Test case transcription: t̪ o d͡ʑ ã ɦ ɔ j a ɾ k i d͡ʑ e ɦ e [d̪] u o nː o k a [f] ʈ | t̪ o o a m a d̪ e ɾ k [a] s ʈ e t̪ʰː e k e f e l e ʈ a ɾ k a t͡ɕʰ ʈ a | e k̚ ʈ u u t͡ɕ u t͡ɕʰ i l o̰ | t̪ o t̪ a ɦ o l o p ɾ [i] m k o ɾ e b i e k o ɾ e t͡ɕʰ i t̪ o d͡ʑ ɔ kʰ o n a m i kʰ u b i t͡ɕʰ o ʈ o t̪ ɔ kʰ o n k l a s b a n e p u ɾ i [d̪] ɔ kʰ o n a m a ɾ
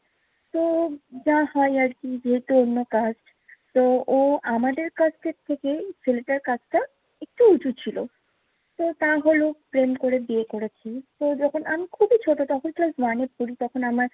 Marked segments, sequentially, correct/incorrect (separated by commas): incorrect, incorrect, correct, incorrect, incorrect